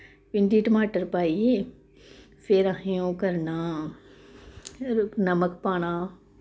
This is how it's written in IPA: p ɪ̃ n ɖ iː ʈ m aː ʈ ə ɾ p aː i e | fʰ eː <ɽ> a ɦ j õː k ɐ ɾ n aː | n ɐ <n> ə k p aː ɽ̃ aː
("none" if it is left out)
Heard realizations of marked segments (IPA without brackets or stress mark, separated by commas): ɾ, m